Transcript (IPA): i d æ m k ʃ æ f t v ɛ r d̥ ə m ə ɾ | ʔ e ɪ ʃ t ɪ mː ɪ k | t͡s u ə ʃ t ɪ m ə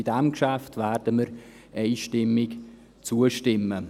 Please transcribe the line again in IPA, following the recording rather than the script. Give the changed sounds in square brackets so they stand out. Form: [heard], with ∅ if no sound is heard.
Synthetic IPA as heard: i d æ m k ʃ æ f t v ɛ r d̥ ə m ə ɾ | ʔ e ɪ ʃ t ɪ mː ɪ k | t͡s u ə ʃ t ɪ m ə